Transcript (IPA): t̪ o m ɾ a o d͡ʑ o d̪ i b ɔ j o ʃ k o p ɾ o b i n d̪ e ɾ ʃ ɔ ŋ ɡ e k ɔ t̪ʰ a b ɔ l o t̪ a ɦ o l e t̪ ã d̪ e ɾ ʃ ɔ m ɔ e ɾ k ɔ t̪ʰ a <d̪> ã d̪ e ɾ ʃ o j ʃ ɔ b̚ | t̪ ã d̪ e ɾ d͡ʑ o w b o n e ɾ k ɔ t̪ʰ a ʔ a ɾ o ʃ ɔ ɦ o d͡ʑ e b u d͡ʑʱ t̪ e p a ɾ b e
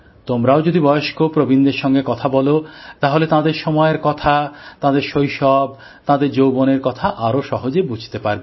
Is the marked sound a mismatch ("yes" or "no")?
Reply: yes